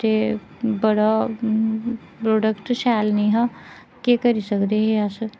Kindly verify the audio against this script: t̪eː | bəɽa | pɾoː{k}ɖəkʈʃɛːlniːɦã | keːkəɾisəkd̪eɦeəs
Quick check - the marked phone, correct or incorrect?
incorrect